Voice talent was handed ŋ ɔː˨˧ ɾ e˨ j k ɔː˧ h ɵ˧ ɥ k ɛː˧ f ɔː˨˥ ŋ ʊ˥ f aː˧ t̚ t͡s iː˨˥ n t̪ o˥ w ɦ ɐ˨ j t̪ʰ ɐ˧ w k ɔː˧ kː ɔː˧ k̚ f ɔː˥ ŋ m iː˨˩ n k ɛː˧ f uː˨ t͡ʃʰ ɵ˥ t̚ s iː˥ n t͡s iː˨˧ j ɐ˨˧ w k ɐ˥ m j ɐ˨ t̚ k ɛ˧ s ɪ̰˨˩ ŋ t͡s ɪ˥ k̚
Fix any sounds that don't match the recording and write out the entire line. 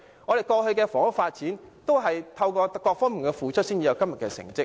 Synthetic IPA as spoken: ŋ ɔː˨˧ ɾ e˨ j k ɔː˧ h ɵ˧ ɥ k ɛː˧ f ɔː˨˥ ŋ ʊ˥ f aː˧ t̚ t͡s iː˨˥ n t̪ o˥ w ɦ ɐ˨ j t̪ʰ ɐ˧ w k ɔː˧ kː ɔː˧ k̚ f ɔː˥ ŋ m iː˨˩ n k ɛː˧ f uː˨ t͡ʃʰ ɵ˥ t̚ s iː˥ n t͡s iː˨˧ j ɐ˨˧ w k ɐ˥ m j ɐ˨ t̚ k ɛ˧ s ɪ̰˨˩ ŋ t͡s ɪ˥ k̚